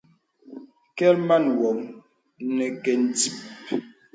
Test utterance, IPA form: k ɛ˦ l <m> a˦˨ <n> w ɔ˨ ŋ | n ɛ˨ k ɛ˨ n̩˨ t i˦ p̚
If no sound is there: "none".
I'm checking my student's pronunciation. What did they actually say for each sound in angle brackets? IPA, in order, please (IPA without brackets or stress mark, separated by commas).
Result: m, n